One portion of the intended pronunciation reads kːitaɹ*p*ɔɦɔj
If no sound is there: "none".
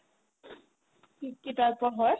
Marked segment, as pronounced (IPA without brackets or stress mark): p